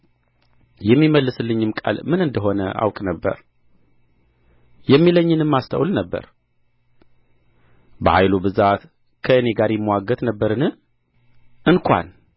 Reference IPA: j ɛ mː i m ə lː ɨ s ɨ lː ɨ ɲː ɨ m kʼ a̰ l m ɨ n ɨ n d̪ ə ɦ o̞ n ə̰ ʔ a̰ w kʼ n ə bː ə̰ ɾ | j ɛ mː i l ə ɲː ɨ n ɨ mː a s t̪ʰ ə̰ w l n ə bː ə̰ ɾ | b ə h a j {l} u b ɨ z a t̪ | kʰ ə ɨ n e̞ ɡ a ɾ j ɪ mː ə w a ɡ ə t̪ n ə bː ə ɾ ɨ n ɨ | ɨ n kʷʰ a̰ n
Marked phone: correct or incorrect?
correct